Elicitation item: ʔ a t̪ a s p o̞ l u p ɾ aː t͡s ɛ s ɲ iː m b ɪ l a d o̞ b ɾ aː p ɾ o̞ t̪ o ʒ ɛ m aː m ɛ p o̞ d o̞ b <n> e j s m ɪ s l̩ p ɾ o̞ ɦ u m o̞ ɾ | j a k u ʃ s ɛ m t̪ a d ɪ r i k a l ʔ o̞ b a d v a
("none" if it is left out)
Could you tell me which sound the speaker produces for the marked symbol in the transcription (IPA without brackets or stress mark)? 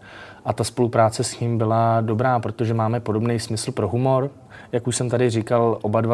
n